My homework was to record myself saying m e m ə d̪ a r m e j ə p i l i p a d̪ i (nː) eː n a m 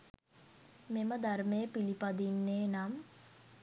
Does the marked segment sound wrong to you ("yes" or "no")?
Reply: no